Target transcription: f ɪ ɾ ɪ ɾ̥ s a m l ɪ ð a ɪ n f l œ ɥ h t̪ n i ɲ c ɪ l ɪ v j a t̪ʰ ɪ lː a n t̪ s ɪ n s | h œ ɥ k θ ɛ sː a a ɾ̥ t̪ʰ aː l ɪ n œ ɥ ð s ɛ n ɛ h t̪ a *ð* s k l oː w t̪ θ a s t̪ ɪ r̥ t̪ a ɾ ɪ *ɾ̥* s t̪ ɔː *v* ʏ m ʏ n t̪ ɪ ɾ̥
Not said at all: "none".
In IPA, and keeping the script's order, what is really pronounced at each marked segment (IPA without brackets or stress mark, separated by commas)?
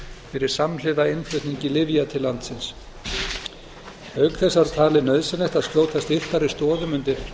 ð, none, ð